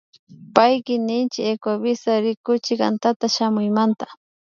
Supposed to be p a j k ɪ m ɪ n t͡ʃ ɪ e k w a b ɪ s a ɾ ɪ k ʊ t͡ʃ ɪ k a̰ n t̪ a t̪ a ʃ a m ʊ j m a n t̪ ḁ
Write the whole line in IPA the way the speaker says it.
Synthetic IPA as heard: p a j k ɪ n ɪ n t͡ʃ ɪ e k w a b ɪ s a ɾ ɪ k ʊ t͡ʃ ɪ k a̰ n t̪ a t̪ a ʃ a m ʊ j m a n t̪ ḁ